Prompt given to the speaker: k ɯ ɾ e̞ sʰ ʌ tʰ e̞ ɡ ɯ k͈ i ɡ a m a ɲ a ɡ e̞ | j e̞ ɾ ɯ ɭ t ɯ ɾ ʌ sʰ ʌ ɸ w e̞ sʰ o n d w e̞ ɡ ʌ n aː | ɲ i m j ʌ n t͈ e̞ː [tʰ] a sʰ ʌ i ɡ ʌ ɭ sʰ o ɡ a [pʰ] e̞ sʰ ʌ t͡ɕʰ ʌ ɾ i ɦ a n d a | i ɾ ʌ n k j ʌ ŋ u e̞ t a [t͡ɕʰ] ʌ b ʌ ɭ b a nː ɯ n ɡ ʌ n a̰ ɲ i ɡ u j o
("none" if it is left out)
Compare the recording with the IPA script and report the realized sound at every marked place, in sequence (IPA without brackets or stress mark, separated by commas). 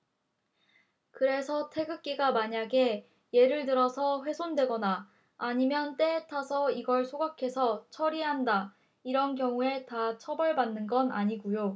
tʰ, kʰ, t͡ɕʰ